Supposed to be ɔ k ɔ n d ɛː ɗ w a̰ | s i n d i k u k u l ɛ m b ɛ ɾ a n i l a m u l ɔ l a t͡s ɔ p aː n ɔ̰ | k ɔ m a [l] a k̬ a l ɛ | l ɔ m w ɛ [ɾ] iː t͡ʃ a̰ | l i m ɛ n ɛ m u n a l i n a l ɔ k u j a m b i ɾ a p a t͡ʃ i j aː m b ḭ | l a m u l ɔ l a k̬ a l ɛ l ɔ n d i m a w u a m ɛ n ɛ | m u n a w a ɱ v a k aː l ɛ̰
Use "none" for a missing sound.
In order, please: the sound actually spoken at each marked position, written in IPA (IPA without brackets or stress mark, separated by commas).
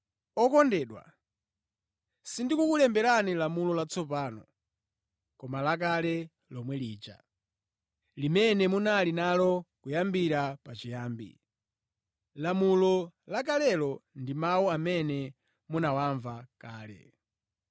l, l